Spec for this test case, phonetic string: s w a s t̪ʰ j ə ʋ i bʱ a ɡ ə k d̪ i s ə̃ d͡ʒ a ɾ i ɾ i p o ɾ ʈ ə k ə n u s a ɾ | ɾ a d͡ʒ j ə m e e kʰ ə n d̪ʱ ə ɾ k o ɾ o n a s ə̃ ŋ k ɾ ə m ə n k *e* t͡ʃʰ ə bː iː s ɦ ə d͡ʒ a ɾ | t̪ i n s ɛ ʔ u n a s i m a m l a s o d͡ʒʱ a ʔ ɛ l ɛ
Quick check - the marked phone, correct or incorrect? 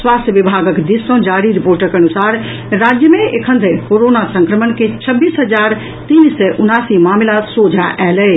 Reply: correct